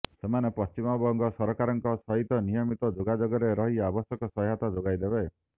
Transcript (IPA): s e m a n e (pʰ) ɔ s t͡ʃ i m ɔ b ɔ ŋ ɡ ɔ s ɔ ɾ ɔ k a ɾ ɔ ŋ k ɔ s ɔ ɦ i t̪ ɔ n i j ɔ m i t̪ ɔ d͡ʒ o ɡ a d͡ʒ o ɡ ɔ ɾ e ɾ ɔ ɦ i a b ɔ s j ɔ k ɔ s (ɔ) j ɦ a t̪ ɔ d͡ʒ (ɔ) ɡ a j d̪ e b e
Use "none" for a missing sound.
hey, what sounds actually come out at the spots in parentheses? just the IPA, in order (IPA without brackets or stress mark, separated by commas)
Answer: p, ɔ, o